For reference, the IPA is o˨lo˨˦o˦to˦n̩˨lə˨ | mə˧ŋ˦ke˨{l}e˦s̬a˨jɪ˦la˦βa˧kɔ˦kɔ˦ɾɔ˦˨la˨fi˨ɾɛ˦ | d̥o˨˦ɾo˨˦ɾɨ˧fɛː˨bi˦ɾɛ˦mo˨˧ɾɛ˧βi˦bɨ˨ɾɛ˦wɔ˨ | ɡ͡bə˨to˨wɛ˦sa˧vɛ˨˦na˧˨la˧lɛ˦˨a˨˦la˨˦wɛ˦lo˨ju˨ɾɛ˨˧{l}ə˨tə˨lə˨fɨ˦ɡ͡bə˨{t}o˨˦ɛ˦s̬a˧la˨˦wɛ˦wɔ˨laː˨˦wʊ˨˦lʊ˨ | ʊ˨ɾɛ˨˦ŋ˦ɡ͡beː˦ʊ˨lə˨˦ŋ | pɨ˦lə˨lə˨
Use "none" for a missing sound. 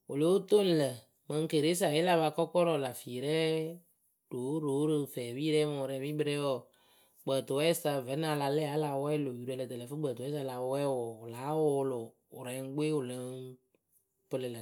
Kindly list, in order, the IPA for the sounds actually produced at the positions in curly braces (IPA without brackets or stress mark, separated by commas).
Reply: ɾ, l, t